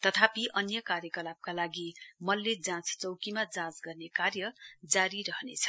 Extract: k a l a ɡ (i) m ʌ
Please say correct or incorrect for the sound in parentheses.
correct